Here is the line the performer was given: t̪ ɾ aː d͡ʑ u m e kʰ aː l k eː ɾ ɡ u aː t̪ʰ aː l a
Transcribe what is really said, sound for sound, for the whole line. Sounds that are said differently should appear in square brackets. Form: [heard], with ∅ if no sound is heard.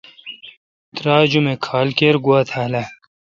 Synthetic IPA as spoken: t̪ ɾ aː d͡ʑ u m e kʰ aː l k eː ɾ ɡ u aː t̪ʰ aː l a